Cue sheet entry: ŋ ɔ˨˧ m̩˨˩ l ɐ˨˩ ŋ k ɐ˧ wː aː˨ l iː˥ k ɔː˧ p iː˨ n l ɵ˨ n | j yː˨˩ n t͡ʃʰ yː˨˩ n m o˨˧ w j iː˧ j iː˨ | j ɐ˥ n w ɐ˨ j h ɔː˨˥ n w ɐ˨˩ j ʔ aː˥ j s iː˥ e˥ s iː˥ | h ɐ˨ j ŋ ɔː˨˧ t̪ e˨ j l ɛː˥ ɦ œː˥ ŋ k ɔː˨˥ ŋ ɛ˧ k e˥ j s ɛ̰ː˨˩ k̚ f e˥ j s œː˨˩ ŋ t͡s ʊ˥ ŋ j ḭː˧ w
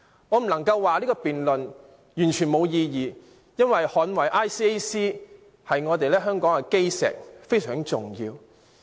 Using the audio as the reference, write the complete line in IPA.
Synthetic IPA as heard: ŋ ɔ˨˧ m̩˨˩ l ɐ˨˩ ŋ k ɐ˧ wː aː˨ l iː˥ k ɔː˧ p iː˨ n l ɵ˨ n | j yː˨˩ n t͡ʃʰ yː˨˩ n m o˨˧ w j iː˧ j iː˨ | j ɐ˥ n w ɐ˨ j h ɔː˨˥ n w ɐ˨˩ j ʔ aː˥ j s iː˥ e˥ s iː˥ | h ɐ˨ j ŋ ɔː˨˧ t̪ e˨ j l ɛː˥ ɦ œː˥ ŋ k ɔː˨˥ ŋ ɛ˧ k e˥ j s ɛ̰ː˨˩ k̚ f e˥ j s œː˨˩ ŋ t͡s ʊ˨ ŋ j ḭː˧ w